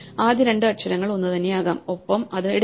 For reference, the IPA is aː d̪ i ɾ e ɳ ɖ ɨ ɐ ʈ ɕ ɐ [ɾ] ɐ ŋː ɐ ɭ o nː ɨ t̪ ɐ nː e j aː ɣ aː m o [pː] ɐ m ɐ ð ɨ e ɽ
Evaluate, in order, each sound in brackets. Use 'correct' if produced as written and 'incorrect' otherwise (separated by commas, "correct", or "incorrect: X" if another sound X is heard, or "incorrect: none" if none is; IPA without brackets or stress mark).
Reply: correct, correct